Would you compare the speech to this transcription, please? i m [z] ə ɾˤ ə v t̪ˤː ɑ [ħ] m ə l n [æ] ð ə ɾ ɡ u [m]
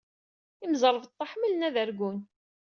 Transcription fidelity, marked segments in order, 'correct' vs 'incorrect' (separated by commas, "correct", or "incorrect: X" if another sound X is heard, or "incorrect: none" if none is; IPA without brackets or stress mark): correct, correct, correct, incorrect: n